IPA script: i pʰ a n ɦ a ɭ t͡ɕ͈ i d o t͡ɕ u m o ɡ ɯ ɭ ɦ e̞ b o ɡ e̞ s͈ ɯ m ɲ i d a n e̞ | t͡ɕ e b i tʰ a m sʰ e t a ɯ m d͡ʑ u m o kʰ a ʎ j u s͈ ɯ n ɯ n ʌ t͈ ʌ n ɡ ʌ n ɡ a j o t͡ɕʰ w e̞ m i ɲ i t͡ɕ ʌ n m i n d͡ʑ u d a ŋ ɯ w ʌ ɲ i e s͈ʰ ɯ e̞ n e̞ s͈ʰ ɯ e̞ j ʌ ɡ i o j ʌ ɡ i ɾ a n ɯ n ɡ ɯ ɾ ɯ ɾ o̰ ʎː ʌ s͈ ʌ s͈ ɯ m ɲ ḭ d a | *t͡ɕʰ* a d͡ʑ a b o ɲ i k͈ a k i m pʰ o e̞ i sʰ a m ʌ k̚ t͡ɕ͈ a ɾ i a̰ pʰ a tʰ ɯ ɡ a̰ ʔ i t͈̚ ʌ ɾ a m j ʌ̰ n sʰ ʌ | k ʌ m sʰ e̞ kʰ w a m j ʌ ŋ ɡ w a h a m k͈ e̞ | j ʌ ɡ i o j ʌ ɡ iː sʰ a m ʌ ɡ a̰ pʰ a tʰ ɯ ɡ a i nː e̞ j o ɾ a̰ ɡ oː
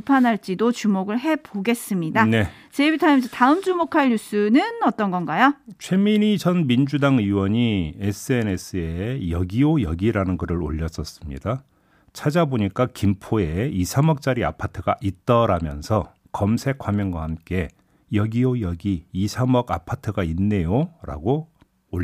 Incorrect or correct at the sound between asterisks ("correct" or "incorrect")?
correct